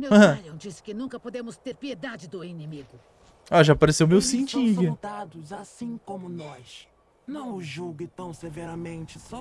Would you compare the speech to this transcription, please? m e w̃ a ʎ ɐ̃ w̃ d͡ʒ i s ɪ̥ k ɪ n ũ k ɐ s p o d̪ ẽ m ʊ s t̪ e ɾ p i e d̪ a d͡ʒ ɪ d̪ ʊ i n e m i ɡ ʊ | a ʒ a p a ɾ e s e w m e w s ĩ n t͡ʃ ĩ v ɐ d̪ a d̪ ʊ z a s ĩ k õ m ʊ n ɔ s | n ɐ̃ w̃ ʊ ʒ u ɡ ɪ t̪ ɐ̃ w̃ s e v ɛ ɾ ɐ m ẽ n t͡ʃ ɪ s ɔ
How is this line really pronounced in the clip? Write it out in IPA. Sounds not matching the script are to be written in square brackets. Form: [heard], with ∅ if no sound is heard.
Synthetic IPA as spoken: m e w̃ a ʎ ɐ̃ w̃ d͡ʒ i s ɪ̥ k ɪ n ũ k ɐ [∅] p o d̪ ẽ m ʊ s t̪ e ɾ p i e d̪ a d͡ʒ ɪ d̪ ʊ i n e m i ɡ ʊ | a ʒ a p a ɾ e s e w m e w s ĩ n t͡ʃ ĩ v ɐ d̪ a d̪ ʊ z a s ĩ k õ m ʊ n ɔ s | n ɐ̃ w̃ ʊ ʒ u ɡ ɪ t̪ ɐ̃ w̃ s e v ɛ ɾ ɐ m ẽ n t͡ʃ ɪ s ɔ

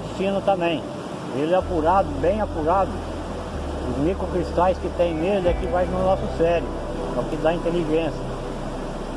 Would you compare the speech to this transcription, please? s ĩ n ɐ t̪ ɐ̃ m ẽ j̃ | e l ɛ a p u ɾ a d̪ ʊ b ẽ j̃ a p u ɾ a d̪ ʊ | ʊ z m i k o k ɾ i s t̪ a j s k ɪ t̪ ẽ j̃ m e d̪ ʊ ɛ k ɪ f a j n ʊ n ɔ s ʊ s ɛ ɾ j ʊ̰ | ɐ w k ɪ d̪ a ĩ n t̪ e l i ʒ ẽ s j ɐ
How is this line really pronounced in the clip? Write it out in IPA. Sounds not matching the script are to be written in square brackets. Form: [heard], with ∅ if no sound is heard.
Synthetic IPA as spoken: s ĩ n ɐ t̪ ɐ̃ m ẽ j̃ | e l ɛ a p u ɾ a d̪ ʊ b ẽ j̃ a p u ɾ a d̪ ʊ | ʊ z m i k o k ɾ i s t̪ a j s k ɪ t̪ ẽ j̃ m e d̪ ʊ ɛ k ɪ [v] a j n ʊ n ɔ s ʊ s ɛ ɾ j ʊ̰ | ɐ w k ɪ d̪ a ĩ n t̪ e l i ʒ ẽ s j ɐ

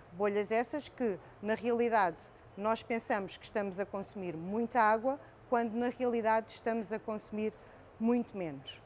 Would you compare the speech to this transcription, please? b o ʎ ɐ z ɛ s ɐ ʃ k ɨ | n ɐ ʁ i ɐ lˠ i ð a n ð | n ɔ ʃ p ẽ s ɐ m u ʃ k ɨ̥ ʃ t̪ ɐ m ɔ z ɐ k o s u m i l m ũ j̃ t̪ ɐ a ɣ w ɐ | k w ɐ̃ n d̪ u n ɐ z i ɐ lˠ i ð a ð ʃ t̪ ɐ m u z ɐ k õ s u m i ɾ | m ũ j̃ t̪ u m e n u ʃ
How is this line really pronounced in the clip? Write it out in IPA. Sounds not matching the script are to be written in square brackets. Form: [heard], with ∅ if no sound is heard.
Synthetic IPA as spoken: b o ʎ ɐ z ɛ s ɐ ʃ k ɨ | n ɐ ʁ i ɐ lˠ i ð a [∅] ð | n ɔ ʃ p ẽ s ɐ m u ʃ k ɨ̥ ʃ t̪ ɐ m [u] z ɐ k [õ] s u m i [ɾ] m ũ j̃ t̪ ɐ a ɣ w ɐ | k w ɐ̃ n d̪ u n ɐ [ʁ] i ɐ lˠ i ð a ð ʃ t̪ ɐ m u z ɐ k õ s u m i ɾ | m ũ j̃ t̪ u m e n u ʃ

